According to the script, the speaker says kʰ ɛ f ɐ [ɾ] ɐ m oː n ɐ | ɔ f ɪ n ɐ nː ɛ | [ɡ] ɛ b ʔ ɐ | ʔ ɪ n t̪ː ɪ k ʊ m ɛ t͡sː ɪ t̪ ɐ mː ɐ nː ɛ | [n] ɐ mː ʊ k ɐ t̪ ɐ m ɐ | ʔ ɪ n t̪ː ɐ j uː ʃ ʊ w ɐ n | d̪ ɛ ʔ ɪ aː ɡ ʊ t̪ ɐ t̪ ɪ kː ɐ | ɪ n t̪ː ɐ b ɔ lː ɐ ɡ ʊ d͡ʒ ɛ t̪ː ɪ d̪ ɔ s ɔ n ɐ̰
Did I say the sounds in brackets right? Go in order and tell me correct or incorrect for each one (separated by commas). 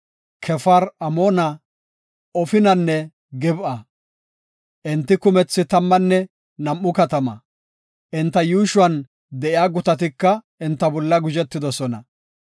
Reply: correct, correct, correct